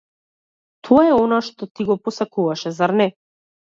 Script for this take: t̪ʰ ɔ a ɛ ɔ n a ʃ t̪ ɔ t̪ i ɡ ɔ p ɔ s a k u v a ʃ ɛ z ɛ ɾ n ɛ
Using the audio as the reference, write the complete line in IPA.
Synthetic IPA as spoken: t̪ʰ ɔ a ɛ ɔ n a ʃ t̪ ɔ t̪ i ɡ ɔ p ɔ s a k u v a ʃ ɛ z a ɾ n ɛ

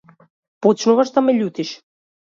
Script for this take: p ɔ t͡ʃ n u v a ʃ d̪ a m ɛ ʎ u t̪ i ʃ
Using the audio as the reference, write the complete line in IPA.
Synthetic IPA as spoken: p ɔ t͡ʃ n u v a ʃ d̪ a m ɛ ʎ u t̪ i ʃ

